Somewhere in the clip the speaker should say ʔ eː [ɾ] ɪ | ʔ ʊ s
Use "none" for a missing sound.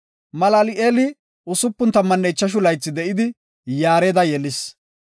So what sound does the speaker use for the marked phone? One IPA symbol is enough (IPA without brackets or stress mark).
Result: l